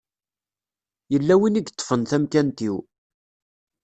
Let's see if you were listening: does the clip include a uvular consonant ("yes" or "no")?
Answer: no